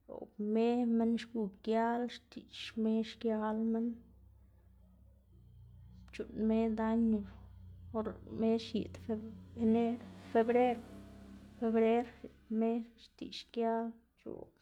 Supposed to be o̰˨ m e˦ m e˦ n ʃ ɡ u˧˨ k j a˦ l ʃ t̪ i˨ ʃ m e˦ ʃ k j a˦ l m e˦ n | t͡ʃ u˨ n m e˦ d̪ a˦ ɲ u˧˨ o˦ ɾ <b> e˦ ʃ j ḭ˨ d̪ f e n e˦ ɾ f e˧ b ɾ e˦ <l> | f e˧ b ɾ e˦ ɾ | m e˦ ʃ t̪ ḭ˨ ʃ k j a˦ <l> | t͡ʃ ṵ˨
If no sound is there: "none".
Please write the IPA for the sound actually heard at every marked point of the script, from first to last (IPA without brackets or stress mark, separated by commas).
m, ɾ, l